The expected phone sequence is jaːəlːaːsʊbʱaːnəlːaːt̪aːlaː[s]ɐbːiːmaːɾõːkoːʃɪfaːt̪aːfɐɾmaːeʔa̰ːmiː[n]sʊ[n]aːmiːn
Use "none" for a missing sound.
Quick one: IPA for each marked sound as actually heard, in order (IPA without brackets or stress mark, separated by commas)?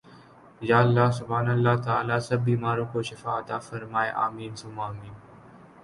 s, n, m